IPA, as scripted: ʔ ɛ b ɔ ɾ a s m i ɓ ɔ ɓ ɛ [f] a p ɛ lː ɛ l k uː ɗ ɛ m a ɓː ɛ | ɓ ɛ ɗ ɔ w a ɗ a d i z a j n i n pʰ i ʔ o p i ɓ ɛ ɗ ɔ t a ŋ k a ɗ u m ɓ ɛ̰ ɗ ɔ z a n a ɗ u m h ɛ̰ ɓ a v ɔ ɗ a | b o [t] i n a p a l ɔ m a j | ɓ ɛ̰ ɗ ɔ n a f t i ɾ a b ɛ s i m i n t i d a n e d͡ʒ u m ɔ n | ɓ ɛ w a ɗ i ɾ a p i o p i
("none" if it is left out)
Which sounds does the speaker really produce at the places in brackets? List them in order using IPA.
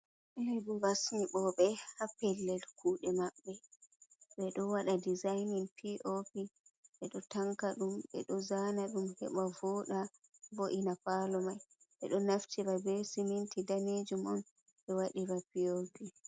h, ʔ

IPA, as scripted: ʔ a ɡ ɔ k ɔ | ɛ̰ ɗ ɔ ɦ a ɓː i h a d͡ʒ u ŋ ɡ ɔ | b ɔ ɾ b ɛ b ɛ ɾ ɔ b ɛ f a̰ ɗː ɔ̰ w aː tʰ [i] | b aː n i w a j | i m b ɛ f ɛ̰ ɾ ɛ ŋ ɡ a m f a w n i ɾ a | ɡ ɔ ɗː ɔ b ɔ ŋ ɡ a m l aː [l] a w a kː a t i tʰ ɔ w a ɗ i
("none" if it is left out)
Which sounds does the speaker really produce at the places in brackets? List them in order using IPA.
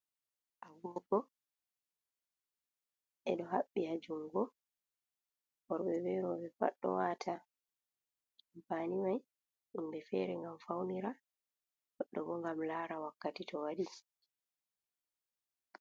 a, ɾ

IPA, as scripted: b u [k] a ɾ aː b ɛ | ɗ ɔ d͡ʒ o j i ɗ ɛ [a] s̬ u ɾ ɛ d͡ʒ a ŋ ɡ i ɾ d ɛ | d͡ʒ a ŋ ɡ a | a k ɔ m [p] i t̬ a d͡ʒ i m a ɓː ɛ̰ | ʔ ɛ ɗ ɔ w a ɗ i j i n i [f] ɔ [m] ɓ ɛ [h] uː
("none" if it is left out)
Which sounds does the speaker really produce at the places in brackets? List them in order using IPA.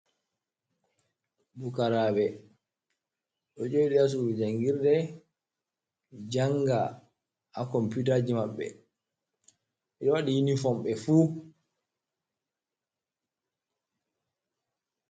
k, a, p, f, m, f

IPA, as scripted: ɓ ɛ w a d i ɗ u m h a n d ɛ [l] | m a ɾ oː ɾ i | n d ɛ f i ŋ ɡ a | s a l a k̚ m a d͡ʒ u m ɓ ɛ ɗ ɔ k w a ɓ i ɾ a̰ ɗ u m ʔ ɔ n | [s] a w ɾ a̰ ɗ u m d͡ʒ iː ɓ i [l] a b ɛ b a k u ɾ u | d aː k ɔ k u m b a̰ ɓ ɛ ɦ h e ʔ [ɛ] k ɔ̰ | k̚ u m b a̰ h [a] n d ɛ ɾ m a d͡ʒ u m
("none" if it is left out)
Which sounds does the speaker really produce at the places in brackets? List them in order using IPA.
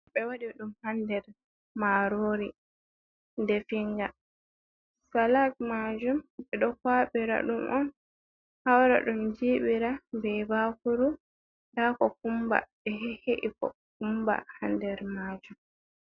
ɾ, h, ɾ, i, a

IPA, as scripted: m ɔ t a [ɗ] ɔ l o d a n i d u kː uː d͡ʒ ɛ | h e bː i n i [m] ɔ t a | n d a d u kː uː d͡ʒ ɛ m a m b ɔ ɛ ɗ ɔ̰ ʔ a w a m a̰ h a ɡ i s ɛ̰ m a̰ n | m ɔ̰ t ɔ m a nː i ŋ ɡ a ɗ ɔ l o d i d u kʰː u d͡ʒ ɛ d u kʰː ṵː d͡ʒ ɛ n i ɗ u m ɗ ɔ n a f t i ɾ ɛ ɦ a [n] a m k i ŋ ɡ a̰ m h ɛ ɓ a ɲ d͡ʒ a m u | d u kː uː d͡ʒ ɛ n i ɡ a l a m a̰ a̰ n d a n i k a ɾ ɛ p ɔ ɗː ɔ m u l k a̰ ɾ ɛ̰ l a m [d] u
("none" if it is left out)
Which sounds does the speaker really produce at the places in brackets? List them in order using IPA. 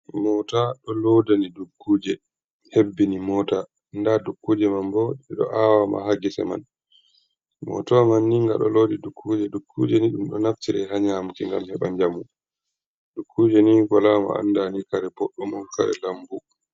ɗ, m, ɲ, b

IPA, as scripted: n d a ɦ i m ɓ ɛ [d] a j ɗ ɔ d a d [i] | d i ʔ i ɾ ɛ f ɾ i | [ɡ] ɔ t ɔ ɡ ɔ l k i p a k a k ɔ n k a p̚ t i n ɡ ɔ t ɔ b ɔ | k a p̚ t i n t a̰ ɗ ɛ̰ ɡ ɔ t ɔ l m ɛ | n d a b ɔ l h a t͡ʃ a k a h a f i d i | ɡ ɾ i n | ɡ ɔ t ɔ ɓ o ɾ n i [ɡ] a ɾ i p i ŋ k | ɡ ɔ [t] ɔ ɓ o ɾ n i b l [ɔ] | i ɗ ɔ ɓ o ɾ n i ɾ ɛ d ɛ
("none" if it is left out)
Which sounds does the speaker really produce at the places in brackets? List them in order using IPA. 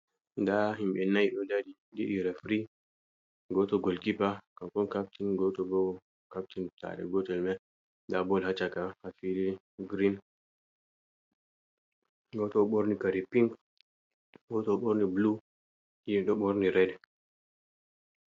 n, i, ɡ, k, t, u

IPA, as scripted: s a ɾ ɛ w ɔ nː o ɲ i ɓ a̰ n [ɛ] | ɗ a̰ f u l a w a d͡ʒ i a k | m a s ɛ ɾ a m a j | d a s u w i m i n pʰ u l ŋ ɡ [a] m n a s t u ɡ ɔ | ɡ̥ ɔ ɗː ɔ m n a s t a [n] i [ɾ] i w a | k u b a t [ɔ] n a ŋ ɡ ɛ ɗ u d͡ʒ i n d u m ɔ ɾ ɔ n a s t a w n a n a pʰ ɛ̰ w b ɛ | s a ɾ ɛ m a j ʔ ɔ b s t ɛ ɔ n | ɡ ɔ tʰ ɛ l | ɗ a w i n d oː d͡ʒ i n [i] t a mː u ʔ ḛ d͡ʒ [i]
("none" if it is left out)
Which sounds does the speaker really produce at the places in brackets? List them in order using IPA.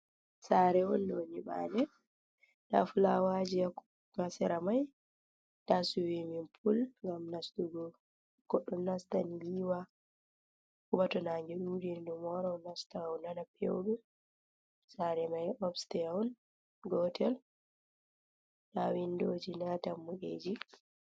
ɛ, a, n, l, ɔ, a, i

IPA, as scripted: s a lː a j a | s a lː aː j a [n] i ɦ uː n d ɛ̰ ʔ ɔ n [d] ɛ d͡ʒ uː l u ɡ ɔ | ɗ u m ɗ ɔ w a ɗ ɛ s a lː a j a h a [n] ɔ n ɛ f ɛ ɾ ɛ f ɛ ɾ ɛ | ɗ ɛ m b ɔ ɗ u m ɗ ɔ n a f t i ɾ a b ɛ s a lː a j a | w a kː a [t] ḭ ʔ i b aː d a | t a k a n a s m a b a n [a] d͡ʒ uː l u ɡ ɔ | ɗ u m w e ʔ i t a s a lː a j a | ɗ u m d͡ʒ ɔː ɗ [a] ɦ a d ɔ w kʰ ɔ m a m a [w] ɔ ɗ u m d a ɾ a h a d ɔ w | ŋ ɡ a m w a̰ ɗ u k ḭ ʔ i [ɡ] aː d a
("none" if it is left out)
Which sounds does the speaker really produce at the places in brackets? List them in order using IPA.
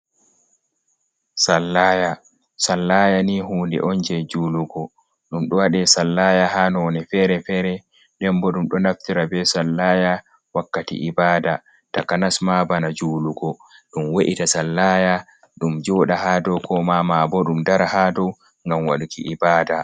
n, d͡ʒ, n, t, a, a, b, b

